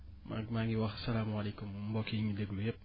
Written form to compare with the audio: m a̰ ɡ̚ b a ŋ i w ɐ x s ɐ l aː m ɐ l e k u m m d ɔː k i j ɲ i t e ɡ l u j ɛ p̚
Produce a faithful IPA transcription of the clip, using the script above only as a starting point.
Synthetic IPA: m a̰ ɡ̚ m a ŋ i w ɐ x s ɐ l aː m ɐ l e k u m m b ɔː k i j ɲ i d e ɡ l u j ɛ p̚

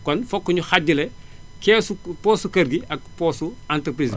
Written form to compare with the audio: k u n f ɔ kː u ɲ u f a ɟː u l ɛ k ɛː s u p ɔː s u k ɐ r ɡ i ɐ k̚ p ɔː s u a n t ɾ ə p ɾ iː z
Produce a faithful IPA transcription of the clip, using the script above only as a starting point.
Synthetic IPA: k ɔ n f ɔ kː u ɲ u x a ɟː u l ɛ k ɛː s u p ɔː s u k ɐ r ɡ i ɐ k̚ p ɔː s u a n t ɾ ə p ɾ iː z

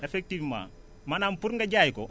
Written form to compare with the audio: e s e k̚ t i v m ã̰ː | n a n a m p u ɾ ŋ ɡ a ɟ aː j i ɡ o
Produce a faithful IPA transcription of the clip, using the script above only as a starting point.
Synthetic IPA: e f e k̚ t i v m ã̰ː | m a n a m p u ɾ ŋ ɡ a ɟ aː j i k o

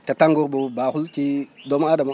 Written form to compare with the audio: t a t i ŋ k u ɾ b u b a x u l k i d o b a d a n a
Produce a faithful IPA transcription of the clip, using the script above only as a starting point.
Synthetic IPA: t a t a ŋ ɡ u ɾ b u b a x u l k i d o m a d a m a

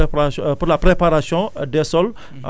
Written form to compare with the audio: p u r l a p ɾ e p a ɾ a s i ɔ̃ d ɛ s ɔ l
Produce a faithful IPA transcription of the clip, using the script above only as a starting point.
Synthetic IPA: p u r l a p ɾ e p a ɾ a s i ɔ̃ d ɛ s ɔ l

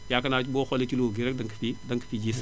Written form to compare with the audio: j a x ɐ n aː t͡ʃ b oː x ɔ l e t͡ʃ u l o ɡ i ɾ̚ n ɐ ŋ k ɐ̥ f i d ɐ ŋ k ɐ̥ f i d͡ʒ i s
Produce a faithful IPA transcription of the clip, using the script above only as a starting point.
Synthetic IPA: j a k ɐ n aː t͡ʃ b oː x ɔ l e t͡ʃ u l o ɡ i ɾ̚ d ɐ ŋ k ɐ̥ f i d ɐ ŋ k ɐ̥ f i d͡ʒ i s

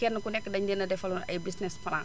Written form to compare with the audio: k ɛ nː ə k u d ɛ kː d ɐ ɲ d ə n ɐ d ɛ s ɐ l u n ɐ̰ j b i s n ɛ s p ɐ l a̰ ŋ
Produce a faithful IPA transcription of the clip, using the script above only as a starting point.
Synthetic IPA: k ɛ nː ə k u n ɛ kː d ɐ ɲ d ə n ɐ d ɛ f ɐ l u n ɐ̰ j b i s n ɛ s p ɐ l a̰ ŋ

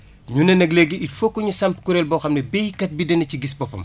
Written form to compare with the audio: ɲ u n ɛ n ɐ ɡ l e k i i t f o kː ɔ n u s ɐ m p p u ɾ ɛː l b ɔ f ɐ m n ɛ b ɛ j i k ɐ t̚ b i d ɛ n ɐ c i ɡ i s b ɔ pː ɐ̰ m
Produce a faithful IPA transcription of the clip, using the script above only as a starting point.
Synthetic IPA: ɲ u n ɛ n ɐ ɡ l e ɡ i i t f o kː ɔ ɲ u s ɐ m p k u ɾ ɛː l b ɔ x ɐ m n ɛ b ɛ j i k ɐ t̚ b i d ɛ n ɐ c i ɡ i s b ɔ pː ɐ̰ m

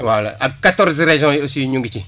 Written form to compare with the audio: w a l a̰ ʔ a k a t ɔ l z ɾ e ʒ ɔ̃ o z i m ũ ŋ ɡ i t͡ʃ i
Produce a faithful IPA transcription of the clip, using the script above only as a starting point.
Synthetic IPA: w a l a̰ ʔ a k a t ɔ ɾ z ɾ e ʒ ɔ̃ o s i ɲ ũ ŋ ɡ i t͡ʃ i

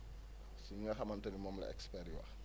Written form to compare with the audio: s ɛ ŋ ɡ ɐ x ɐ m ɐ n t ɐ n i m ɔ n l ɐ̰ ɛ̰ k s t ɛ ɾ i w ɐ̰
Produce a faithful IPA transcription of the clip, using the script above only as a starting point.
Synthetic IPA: s i ŋ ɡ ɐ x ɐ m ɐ n t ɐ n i m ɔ m l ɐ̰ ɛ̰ k s p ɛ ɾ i w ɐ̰

